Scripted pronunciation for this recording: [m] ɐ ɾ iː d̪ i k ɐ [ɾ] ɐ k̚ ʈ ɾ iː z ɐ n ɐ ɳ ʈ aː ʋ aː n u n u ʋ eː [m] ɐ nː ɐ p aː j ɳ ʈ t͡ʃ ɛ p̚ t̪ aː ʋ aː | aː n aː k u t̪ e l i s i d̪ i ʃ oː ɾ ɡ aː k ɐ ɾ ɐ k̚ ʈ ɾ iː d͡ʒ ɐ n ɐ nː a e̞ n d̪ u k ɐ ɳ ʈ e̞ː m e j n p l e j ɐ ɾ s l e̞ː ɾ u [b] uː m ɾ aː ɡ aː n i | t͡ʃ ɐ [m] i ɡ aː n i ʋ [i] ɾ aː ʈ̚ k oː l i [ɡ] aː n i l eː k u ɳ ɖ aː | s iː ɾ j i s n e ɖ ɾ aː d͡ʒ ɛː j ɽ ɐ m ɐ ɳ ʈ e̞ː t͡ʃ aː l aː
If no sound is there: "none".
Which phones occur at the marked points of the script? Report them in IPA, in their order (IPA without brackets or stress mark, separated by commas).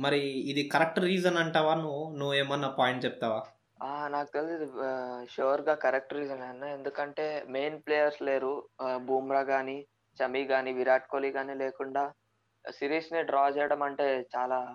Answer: m, ɾ, m, b, m, i, ɡ